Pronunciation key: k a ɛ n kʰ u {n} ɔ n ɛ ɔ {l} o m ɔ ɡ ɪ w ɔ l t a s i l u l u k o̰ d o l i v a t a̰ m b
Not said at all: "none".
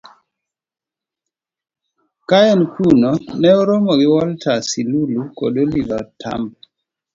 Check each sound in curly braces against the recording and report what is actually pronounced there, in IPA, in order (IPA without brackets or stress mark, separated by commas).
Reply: n, ɾ